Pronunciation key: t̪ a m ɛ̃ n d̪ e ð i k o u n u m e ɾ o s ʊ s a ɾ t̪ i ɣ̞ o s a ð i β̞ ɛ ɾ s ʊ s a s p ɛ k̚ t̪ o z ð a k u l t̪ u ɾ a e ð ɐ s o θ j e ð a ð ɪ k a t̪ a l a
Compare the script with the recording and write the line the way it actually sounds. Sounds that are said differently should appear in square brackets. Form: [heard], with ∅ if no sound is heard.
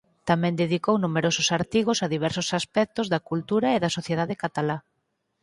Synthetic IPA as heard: t̪ a m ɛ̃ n d̪ e ð i k o [w] n u m e ɾ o s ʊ s a ɾ t̪ i ɣ̞ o s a ð i β̞ ɛ ɾ s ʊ s a s p ɛ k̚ t̪ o z ð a k u l t̪ u ɾ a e ð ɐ s o θ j e ð a ð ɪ k a t̪ a l a